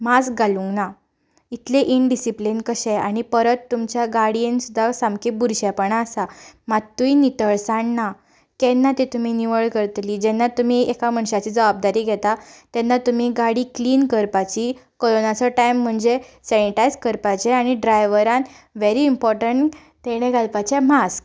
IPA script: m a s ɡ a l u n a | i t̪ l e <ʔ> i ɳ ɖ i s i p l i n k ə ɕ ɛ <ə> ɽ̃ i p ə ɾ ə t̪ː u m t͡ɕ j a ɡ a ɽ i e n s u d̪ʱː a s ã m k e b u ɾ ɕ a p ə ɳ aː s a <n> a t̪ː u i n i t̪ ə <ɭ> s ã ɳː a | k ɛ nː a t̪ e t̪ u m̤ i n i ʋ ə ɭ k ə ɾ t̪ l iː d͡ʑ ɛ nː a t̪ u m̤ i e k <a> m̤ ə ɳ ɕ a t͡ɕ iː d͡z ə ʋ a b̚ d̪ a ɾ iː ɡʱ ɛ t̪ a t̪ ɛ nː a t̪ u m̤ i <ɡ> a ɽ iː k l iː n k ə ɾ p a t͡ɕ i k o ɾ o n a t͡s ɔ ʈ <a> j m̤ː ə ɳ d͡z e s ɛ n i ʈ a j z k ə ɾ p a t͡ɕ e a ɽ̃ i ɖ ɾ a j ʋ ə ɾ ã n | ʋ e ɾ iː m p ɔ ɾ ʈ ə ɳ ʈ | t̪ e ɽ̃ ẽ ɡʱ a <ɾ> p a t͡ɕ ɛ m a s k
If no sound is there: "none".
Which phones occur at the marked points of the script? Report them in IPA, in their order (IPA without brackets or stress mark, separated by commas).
ʔ, a, m, ɭ, a, ɡ, a, l